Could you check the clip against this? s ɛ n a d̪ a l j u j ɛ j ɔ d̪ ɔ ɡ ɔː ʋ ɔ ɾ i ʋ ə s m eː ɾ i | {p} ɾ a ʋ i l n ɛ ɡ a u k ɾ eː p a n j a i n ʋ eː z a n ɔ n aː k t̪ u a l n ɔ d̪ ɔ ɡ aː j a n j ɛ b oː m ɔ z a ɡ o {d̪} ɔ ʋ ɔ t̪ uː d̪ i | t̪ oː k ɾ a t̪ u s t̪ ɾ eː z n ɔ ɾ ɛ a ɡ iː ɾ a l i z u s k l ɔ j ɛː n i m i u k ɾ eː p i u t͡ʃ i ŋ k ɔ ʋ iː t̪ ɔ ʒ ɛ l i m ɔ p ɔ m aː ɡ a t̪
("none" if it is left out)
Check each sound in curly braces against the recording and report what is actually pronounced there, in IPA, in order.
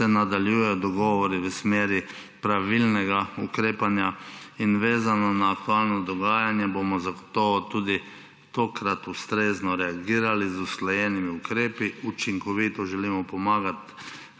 p, t̪

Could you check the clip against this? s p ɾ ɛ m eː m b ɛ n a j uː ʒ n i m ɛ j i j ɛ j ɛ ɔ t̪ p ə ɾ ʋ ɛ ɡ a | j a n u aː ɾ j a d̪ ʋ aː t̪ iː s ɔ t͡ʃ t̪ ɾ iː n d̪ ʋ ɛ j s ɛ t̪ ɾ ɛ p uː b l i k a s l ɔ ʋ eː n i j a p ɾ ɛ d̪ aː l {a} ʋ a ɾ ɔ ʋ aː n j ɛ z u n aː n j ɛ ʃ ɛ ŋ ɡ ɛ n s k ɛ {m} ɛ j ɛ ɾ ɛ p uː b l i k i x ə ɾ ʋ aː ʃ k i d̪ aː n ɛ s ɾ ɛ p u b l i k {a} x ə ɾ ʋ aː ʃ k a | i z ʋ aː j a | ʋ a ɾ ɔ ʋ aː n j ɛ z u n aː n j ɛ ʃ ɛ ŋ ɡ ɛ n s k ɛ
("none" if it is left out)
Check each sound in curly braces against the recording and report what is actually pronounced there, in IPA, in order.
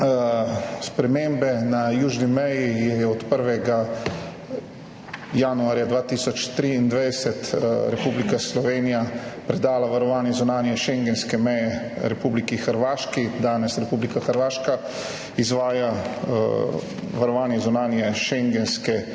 a, m, a

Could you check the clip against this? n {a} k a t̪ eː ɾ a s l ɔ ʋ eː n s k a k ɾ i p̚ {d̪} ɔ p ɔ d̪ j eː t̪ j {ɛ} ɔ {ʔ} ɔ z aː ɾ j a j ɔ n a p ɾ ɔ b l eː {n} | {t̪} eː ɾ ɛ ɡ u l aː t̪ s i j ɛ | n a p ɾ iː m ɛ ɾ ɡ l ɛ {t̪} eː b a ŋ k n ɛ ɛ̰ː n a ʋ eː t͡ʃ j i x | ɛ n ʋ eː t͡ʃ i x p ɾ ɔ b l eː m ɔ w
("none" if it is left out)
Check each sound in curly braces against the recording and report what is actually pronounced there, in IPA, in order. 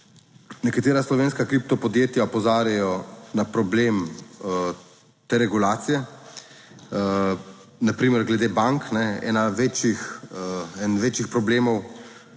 ɛ, t̪, a, p, m, t̪, d̪

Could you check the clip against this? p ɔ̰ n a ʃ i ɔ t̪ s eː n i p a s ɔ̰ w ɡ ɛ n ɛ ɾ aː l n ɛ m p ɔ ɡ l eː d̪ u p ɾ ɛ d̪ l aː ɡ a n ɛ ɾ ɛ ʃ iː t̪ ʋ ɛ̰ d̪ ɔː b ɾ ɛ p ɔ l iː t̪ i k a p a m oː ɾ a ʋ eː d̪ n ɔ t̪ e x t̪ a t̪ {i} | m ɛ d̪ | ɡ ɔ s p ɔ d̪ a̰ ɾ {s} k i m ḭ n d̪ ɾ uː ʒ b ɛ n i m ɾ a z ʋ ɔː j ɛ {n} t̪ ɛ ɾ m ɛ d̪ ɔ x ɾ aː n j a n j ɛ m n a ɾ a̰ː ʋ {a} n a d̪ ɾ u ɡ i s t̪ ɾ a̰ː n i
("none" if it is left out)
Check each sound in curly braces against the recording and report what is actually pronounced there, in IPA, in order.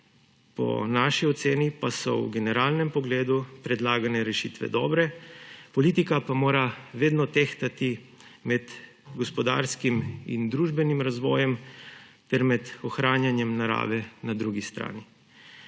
i, s, m, ɛ

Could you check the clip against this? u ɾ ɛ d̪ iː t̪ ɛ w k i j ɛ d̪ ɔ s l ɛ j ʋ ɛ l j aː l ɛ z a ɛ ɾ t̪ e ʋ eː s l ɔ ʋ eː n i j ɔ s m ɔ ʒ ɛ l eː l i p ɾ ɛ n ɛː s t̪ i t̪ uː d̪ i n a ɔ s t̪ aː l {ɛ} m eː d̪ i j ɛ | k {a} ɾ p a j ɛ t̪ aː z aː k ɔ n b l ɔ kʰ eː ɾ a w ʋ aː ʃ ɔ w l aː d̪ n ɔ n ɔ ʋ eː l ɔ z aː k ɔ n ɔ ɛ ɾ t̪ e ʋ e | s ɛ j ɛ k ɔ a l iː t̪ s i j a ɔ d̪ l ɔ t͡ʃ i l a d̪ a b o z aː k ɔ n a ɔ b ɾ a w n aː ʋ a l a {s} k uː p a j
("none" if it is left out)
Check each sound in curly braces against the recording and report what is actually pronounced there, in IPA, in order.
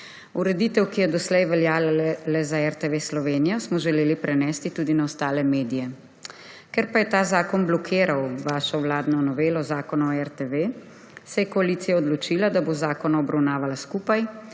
ɛ, ɛ, s

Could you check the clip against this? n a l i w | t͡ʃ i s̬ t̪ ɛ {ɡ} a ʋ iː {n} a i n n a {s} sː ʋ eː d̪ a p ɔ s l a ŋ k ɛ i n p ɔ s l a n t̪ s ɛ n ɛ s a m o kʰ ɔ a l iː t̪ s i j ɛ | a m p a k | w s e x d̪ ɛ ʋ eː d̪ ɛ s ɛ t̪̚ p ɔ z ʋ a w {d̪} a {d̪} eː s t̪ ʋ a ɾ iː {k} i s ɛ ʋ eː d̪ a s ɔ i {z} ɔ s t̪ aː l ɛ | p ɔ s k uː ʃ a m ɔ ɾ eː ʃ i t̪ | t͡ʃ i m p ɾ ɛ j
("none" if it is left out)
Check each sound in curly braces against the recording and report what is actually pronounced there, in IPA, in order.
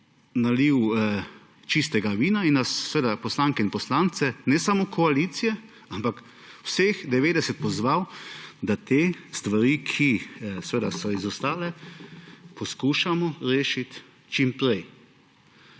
ɡ, n, s, d̪, t̪, kʰ, z

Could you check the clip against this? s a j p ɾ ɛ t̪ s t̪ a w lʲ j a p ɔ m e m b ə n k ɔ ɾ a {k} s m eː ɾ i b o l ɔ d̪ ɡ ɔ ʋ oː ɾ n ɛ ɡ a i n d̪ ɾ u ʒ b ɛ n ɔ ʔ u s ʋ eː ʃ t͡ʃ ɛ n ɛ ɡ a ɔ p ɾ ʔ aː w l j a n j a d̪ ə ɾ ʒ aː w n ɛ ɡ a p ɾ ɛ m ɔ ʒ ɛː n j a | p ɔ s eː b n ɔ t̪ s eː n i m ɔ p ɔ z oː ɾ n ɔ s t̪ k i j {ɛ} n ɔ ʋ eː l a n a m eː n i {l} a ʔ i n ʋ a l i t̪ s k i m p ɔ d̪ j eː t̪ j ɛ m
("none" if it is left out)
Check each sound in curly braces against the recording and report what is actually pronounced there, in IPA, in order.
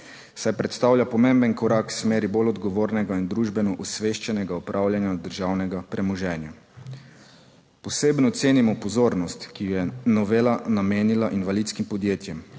k, ɛ, l

